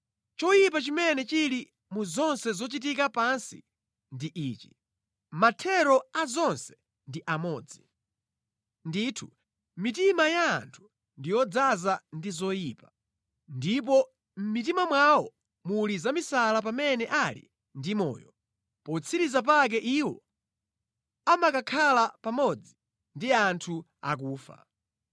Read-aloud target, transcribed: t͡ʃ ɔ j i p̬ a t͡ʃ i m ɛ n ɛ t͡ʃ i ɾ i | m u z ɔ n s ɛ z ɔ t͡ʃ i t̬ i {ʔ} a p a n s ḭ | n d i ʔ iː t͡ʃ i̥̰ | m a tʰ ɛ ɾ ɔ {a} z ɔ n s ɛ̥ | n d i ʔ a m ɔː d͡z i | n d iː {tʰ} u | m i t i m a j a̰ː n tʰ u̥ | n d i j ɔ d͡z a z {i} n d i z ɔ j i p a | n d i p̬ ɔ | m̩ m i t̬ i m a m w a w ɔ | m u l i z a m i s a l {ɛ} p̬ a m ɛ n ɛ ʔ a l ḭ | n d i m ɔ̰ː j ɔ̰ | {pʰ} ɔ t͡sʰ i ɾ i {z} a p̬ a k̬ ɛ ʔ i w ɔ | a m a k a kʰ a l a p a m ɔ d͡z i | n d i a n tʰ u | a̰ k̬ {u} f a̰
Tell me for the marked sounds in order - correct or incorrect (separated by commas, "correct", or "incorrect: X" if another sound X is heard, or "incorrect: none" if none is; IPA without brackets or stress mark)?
incorrect: k, correct, correct, incorrect: a, incorrect: a, incorrect: p, correct, incorrect: uː